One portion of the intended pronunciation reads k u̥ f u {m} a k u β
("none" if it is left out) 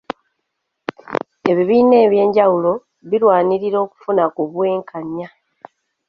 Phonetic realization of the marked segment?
n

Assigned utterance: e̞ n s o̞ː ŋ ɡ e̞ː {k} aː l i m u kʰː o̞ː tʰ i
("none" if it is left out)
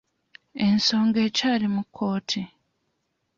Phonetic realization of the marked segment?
c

